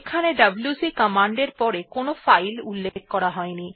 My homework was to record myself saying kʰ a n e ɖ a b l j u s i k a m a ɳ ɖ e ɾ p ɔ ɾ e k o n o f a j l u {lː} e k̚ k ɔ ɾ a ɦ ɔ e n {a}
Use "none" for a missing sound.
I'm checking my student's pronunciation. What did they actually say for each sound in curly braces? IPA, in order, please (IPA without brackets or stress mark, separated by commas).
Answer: lː, i